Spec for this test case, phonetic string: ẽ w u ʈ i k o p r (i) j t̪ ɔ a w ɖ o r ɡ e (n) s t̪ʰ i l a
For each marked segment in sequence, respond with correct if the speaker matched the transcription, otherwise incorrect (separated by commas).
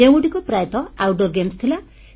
incorrect, incorrect